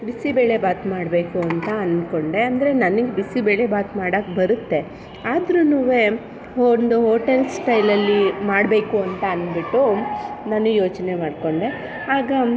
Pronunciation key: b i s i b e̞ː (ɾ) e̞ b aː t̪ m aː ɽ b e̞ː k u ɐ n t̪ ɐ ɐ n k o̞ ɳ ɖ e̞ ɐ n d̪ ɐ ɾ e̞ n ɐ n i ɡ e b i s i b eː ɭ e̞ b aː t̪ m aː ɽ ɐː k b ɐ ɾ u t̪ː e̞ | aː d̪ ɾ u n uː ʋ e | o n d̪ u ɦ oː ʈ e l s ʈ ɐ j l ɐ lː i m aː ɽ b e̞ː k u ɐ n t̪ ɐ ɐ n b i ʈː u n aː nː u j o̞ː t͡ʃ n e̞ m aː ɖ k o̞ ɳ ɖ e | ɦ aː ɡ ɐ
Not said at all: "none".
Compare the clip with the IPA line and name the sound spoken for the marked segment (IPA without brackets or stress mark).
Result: ɭ